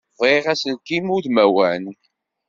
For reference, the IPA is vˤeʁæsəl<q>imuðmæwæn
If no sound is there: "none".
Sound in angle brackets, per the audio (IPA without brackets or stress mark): k